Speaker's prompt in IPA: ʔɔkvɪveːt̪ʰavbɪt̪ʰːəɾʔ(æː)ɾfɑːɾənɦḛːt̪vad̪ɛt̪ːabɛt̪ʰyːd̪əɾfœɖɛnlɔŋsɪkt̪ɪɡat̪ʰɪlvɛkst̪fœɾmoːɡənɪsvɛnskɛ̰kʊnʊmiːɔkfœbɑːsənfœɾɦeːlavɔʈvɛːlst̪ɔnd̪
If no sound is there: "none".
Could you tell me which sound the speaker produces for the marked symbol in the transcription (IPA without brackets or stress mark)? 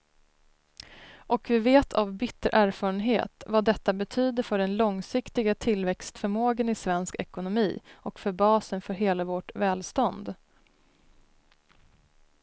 æː